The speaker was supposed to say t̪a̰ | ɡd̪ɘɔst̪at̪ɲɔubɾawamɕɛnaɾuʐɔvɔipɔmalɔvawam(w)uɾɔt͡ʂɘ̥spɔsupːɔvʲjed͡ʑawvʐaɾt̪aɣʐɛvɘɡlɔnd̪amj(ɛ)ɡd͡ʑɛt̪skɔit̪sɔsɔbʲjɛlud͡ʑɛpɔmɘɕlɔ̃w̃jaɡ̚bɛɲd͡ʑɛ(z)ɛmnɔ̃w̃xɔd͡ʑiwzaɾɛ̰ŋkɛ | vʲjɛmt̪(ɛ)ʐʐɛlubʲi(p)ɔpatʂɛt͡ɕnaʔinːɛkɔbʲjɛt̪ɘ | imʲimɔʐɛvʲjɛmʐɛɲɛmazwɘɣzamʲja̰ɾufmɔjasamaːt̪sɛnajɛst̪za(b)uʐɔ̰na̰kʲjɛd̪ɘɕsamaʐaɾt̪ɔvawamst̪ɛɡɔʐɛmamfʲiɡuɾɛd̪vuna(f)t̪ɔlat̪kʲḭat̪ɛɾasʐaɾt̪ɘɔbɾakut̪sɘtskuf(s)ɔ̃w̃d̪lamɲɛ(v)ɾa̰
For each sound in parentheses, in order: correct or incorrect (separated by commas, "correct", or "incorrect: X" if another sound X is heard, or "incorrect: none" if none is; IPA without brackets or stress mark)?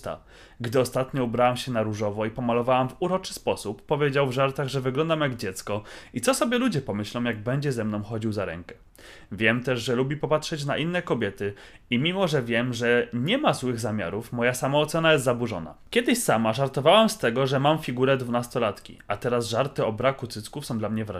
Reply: incorrect: v, incorrect: a, correct, correct, correct, correct, incorrect: s, correct, correct